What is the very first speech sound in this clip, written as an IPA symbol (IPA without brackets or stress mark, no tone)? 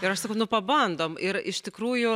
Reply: ɪ